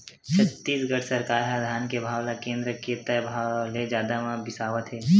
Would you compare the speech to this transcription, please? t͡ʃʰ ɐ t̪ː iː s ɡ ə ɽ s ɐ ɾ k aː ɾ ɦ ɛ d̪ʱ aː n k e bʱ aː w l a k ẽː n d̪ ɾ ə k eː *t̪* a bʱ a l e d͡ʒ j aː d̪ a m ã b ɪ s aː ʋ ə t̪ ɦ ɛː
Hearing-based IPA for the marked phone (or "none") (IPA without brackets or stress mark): t̪